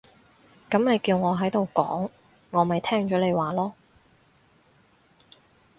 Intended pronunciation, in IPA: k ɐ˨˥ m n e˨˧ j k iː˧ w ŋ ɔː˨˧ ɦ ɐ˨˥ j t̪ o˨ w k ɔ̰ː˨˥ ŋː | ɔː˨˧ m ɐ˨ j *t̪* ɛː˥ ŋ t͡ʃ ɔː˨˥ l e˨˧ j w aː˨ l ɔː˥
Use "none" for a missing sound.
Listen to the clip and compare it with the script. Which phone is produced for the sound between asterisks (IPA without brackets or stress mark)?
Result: t̪ʰ